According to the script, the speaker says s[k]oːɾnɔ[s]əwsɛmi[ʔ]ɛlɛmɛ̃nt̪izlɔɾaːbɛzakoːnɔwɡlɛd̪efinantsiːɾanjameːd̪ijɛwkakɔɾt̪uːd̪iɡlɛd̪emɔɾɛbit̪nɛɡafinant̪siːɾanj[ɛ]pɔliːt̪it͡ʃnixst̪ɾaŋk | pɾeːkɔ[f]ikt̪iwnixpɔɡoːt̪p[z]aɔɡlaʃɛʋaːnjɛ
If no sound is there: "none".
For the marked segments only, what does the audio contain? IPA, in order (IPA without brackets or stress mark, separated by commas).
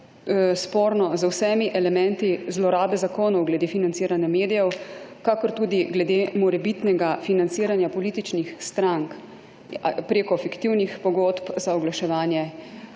p, z, ʔ, a, f, z